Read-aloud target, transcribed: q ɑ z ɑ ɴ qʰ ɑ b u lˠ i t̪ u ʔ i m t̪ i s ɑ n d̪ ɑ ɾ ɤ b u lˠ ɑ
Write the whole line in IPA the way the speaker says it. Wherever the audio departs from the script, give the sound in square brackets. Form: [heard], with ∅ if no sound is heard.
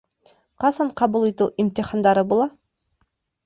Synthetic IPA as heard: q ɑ [s] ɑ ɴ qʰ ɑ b u lˠ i t̪ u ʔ i m t̪ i [χ] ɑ n d̪ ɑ ɾ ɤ b u lˠ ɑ